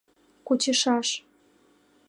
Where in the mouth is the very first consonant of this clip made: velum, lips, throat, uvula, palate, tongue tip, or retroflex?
velum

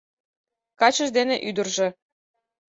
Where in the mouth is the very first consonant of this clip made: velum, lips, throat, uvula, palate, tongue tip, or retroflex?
velum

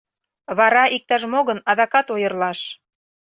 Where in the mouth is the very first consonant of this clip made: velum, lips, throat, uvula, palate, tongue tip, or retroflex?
lips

